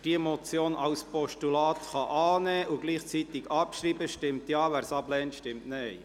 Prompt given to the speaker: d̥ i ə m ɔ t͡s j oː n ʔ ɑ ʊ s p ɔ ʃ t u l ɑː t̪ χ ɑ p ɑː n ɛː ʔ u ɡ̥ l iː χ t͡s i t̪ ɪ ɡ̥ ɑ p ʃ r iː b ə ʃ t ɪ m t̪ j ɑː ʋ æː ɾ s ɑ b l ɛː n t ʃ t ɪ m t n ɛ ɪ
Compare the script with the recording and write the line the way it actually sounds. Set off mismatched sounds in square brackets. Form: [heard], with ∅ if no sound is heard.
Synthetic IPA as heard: d̥ i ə m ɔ t͡s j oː n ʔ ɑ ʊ s p ɔ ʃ t u l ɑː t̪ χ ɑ [ʔ] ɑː n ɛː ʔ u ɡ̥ l iː χ t͡s i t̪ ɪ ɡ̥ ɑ p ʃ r iː b ə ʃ t ɪ m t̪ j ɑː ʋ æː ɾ s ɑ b l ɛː n t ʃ t ɪ m t n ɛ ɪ